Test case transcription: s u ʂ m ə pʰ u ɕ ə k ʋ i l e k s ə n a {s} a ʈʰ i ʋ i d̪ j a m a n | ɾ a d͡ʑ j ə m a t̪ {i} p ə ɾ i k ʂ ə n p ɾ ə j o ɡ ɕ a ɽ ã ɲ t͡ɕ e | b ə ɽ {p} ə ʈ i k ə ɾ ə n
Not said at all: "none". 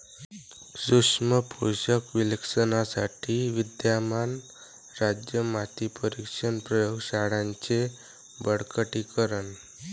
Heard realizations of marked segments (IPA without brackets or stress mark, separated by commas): s, i, k